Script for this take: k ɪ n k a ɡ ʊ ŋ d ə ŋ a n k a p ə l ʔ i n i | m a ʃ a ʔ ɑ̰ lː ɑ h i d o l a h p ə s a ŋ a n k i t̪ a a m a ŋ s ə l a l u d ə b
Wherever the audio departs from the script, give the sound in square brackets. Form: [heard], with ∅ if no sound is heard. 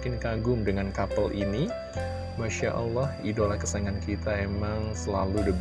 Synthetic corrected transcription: k ɪ n k a ɡ ʊ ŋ d ə ŋ a n k a p ə l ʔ i n i | m a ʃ a ʔ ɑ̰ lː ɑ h i d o l a h [k] ə s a ŋ a n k i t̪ a [e] m a ŋ s ə l a l u d ə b